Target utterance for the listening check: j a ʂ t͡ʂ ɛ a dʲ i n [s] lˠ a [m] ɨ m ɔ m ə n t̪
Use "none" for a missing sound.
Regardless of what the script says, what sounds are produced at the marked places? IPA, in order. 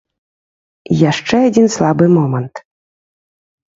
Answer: s, b

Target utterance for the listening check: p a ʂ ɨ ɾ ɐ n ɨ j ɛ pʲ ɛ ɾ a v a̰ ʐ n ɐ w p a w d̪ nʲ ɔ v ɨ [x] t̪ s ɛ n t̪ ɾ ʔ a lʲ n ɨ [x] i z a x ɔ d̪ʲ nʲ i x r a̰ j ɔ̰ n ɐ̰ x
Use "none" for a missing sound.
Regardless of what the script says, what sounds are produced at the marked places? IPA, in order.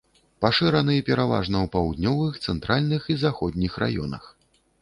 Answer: x, x

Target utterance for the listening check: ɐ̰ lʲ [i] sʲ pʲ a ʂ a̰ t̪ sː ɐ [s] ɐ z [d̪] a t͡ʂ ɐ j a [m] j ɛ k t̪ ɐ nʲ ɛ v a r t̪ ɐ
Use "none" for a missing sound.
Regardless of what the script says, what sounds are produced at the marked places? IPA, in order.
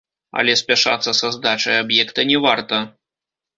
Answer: ɛ, s, d̪, b

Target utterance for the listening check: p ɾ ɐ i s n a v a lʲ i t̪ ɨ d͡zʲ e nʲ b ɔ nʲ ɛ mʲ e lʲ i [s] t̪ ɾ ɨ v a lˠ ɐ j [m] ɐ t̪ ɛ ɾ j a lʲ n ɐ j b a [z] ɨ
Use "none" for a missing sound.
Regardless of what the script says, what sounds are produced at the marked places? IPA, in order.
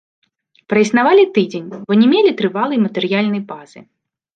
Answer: none, m, z

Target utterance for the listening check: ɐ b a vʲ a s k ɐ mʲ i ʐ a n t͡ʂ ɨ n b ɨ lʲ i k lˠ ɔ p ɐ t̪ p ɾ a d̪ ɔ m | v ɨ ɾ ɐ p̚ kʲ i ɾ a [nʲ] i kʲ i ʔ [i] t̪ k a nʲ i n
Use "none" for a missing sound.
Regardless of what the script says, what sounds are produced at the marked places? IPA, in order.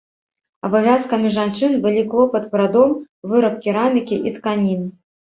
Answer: mʲ, i

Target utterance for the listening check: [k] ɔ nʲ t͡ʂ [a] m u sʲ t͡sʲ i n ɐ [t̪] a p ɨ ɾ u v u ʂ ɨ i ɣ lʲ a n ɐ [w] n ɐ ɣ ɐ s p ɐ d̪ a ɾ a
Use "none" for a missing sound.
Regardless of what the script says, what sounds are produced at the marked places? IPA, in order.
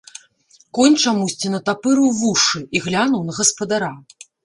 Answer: k, a, t̪, w

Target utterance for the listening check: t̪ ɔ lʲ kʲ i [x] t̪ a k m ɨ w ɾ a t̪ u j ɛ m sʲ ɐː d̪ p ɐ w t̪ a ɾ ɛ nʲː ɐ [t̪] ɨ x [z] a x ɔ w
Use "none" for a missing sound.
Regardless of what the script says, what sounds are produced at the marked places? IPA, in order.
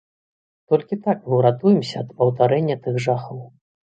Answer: none, t̪, ʐ

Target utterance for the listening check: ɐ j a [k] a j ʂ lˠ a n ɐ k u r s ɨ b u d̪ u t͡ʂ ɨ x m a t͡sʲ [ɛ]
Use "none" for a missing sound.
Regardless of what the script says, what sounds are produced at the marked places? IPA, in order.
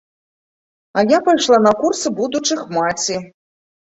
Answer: p, i

